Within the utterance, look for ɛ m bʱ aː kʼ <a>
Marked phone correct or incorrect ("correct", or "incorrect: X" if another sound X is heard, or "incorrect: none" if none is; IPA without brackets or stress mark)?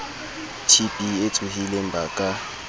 correct